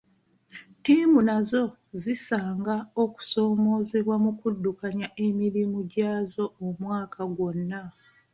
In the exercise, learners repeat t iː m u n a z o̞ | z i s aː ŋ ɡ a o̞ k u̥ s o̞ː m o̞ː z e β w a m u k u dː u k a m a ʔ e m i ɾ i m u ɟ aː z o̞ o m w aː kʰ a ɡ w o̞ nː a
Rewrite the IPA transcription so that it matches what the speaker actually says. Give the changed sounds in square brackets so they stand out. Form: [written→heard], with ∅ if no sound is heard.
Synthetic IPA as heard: t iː m u n a z o̞ | z i s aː ŋ ɡ a o̞ k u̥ s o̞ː m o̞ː z e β w a m u k u dː u k a [m→ɲ] a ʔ e m i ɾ i m u ɟ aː z o̞ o m w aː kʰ a ɡ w o̞ nː a